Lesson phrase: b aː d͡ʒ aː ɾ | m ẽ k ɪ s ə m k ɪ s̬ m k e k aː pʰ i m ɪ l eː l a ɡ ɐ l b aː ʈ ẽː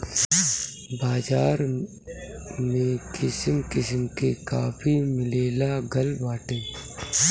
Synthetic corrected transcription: b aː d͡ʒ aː ɾ | m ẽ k ɪ s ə m k ɪ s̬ m k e k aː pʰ i m ɪ l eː l a ɡ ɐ l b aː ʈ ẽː